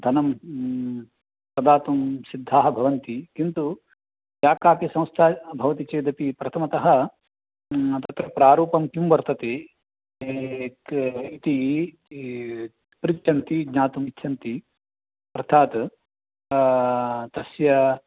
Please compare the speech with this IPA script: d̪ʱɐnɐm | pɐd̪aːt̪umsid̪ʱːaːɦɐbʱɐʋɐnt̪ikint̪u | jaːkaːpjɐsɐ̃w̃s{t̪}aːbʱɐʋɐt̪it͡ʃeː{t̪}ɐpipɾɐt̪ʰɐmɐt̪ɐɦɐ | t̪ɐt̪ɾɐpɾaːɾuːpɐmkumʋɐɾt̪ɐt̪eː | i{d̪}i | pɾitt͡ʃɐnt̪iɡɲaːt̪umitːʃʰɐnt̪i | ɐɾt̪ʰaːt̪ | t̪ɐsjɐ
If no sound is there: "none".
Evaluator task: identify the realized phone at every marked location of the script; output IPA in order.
t̪ʰ, d̪, t̪

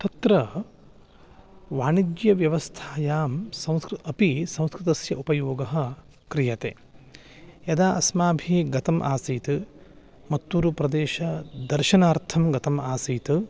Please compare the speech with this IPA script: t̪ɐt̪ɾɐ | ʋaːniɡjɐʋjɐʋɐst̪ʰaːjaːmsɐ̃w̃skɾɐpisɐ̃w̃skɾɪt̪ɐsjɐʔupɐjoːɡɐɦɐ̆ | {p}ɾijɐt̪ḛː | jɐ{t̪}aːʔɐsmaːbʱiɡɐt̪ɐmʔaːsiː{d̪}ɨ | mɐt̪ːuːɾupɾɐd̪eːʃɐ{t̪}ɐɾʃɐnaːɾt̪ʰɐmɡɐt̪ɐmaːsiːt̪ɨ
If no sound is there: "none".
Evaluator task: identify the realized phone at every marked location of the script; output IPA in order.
k, d̪, t̪, d̪

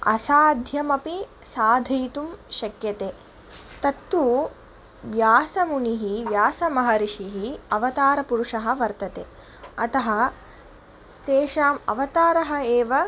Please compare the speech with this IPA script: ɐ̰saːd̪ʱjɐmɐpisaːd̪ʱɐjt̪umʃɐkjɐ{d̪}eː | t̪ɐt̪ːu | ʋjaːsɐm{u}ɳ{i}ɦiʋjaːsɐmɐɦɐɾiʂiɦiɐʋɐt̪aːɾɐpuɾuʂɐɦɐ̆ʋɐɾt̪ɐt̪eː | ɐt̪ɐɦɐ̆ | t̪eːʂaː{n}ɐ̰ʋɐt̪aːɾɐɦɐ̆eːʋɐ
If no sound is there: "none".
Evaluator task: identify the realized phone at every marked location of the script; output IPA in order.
t̪, u, i, m

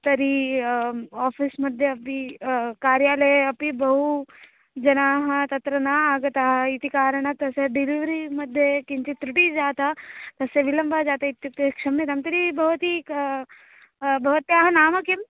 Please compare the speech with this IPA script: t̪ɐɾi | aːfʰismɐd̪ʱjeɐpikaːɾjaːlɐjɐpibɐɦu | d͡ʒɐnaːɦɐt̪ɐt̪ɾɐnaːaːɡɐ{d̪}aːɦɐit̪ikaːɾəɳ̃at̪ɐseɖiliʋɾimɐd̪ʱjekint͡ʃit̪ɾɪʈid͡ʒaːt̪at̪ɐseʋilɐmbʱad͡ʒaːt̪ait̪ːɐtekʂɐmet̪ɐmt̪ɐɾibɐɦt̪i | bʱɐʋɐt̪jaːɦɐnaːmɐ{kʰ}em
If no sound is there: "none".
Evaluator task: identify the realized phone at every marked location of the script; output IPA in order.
t̪, k

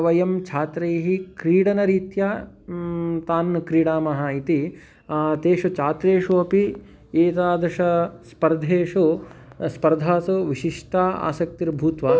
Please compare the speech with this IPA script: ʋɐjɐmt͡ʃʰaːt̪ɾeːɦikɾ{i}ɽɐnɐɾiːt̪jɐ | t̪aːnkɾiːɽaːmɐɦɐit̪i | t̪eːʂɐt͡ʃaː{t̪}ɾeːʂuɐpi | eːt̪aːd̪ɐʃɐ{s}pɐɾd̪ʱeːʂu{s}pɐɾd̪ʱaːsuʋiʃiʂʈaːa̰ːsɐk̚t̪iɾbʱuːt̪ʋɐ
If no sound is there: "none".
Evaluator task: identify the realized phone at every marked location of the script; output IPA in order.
iː, t̪, s, s

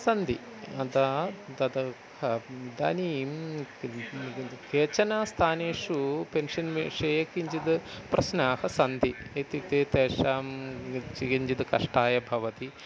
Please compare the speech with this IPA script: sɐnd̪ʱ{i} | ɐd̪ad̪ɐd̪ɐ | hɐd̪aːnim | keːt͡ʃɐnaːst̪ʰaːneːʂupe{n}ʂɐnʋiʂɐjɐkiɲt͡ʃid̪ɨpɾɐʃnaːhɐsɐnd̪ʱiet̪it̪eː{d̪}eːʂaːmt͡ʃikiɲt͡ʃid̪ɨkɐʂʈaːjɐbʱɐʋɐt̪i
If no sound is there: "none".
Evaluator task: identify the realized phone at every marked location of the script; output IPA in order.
i, n, t̪

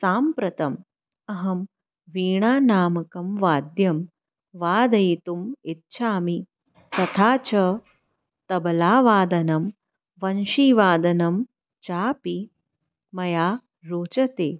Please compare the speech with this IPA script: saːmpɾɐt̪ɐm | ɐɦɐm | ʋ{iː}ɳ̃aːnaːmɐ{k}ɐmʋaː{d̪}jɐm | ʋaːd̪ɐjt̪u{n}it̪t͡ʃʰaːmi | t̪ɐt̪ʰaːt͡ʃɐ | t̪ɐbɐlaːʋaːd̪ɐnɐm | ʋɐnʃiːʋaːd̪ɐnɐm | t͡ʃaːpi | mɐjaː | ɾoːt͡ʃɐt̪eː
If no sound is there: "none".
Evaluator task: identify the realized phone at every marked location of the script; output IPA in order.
iː, k, d̪, m

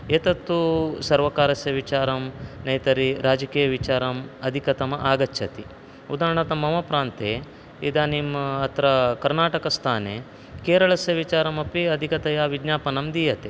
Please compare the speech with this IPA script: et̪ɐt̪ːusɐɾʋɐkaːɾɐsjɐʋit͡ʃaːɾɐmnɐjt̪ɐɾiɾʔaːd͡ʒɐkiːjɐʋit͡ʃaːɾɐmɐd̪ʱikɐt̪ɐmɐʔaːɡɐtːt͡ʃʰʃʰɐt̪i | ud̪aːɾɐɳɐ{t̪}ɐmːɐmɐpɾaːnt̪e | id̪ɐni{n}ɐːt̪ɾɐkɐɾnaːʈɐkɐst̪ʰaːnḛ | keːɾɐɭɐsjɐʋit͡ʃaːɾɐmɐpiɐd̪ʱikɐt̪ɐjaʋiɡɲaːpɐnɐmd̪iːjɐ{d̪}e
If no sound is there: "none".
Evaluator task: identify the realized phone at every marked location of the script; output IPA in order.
t̪, m, t̪

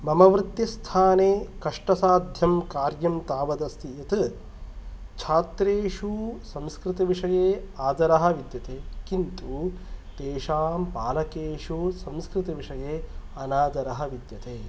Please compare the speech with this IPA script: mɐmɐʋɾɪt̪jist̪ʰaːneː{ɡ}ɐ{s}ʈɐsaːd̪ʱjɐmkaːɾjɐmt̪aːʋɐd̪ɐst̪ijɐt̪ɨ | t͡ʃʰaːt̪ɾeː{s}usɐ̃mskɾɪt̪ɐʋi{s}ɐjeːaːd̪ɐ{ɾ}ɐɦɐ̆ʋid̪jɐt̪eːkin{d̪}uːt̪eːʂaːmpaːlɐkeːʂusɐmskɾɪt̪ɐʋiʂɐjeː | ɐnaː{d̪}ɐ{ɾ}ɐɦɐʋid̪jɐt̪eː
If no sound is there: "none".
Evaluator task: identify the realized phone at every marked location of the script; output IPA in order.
k, ʂ, ʂ, ʂ, ɾ, t̪, d̪, ɾ

